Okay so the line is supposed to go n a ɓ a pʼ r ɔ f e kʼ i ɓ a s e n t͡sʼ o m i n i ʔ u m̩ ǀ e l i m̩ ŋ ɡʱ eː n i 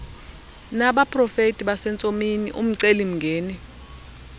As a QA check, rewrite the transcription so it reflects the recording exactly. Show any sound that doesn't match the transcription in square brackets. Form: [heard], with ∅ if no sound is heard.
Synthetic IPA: n a ɓ a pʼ r ɔ f e [tʼ] i ɓ a s [ɛ] n t͡sʼ o m i n i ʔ u m̩ ǀ e l i m̩ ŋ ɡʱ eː n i